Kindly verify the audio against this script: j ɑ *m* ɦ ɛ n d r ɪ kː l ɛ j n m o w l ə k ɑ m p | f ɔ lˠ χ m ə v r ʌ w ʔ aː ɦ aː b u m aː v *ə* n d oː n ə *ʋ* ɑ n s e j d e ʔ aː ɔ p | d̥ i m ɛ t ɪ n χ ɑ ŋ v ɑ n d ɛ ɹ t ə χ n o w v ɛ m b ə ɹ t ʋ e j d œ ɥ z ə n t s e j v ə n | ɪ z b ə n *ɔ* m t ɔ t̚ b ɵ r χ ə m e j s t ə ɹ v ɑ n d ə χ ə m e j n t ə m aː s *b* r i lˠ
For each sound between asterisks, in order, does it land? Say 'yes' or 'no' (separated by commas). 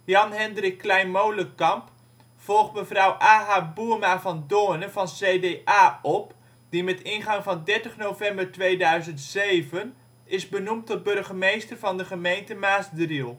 no, no, no, no, no